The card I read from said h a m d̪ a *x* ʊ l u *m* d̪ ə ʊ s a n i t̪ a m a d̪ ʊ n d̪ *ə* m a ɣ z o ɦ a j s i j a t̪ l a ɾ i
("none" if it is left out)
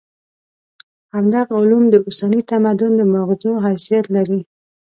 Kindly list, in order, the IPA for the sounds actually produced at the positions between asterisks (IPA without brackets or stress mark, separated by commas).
ɣ, m, ə